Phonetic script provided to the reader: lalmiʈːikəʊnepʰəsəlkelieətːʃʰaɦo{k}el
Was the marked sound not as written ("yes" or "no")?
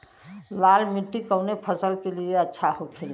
yes